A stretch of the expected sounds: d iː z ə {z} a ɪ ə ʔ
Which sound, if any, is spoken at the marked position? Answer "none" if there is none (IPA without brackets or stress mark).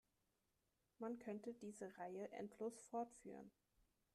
ʁ